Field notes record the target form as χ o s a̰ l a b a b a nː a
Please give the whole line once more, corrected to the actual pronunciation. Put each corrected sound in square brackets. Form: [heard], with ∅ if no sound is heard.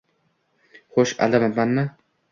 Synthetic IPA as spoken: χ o [ʃ] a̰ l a [m] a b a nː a